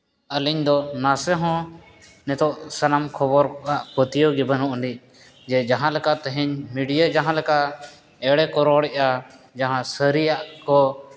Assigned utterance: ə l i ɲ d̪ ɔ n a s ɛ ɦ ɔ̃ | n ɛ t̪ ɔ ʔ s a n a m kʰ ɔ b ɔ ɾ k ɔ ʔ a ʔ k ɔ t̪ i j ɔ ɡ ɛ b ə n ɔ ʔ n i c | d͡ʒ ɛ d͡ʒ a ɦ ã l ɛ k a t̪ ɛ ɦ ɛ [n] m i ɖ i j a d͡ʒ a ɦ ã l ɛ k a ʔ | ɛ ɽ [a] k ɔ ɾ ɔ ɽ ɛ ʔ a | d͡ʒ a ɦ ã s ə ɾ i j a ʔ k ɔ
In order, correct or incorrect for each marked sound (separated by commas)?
incorrect, incorrect